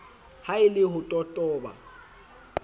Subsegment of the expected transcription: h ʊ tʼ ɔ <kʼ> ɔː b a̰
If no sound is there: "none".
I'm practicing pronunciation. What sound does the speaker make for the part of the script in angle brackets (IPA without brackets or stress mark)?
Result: tʼ